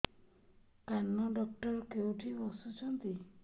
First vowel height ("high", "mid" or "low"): low